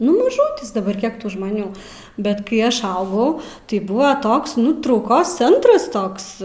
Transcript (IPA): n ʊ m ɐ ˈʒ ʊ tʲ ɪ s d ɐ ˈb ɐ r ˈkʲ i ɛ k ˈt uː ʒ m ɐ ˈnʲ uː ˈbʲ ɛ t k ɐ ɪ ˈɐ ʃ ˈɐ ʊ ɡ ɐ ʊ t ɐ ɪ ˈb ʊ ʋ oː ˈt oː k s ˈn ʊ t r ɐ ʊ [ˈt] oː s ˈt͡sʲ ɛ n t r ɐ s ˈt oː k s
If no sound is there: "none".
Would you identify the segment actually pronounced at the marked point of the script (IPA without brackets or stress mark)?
k